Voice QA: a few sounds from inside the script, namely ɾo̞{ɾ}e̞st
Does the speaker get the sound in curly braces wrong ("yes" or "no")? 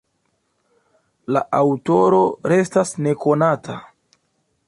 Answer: no